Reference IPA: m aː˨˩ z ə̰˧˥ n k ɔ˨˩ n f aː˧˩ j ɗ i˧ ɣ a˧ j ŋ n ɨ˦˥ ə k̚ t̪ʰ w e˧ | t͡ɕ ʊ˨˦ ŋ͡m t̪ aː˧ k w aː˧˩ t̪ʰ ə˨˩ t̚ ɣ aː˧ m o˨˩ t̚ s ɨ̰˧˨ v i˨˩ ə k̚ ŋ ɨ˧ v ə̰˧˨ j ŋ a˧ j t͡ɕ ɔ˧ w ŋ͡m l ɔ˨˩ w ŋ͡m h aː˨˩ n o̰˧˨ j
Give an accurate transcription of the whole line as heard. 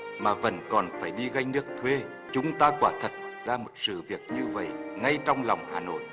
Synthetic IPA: m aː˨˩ v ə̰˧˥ n k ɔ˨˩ n f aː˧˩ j ɗ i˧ ɣ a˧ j ŋ n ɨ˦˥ ə k̚ t̪ʰ w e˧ | t͡ɕ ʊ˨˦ ŋ͡m t̪ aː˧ k w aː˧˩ t̪ʰ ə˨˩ t̚ z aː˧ m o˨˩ t̚ s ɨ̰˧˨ v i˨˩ ə k̚ ɲ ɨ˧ v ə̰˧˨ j ŋ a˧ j t͡ɕ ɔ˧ w ŋ͡m l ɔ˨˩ w ŋ͡m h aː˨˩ n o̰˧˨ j